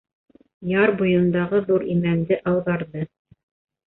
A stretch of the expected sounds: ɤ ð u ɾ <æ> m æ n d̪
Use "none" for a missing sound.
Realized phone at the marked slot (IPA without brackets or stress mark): i